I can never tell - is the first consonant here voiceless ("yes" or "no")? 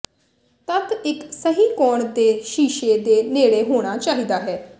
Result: yes